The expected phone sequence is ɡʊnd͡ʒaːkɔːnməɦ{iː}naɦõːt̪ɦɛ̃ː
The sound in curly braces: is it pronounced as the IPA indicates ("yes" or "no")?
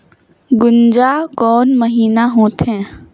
yes